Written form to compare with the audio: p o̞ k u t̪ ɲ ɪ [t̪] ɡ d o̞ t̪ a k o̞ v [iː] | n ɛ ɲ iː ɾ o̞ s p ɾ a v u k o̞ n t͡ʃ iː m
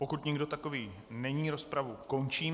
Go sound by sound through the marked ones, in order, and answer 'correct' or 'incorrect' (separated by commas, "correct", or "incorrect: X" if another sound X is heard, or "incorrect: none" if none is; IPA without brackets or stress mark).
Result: incorrect: none, correct